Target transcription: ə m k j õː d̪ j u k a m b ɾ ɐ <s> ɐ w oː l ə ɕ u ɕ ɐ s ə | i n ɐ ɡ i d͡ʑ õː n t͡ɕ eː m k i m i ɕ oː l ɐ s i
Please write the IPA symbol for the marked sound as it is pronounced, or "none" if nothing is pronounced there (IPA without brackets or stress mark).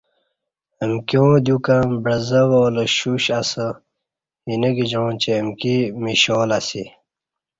z